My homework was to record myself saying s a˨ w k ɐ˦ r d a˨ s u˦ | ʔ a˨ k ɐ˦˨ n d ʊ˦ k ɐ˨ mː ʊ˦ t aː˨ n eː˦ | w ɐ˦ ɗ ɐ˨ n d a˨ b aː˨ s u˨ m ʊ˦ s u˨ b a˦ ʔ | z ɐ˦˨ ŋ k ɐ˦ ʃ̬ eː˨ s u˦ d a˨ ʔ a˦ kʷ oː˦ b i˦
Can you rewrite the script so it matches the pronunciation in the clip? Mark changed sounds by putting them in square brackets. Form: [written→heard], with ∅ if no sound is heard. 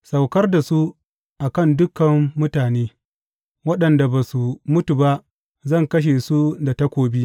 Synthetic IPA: s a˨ w k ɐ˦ r d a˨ s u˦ | ʔ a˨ k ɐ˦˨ n d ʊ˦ k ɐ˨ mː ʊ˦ t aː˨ n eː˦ | w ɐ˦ ɗ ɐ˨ n d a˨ b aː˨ s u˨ m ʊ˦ [s→t] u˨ b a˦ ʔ | z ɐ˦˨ ŋ k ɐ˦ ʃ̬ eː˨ s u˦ d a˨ [ʔ→t] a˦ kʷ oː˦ b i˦